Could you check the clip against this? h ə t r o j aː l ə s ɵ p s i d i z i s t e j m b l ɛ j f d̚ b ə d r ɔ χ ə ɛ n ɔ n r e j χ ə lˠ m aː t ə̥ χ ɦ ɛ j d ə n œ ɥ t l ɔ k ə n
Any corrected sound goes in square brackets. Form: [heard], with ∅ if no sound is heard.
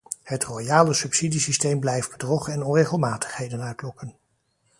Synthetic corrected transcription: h ə t r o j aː l ə s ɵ p s i d i [s] i s t e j m b l ɛ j f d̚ b ə d r ɔ χ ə ɛ n ɔ n r e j χ ə lˠ m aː t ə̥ χ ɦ [e] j d ə n œ ɥ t l ɔ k ə n